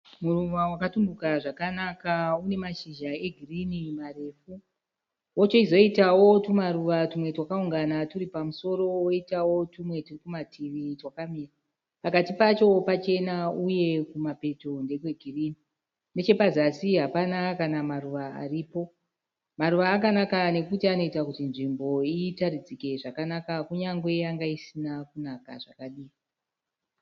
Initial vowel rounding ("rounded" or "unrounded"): rounded